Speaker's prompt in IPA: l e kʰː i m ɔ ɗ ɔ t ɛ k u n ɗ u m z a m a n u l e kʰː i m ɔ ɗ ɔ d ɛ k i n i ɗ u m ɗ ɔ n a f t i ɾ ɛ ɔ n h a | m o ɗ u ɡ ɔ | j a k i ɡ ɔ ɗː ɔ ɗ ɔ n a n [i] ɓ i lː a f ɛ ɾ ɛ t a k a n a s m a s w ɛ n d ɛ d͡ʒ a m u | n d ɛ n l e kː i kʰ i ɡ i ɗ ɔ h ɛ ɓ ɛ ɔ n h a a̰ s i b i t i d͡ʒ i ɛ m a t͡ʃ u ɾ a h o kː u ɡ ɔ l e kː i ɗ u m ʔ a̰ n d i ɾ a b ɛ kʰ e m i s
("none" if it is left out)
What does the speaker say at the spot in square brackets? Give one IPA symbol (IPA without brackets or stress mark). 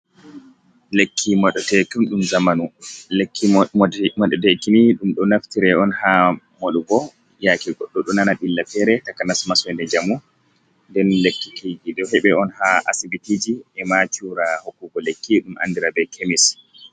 a